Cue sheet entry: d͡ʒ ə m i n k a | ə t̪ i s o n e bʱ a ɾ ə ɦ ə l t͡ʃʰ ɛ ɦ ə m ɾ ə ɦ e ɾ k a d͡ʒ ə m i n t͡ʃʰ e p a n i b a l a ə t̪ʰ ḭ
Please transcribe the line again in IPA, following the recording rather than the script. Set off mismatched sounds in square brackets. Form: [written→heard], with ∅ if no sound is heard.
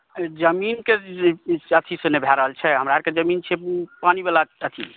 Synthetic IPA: d͡ʒ ə m i n k [a→e] | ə [t̪→t̪ʰ] i s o n e bʱ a ɾ ə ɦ ə l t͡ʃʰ ɛ ɦ ə m ɾ [ə→a] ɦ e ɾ k [a→e] d͡ʒ ə m i n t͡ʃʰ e p a n i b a l a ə t̪ʰ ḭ